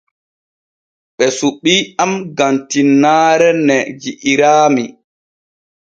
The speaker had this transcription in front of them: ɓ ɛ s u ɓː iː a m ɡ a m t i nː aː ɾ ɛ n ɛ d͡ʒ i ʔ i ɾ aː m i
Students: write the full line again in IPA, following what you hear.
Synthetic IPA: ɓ ɛ s u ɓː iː a m ɡ a n t i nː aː ɾ ɛ n ɛ d͡ʒ i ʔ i ɾ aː m i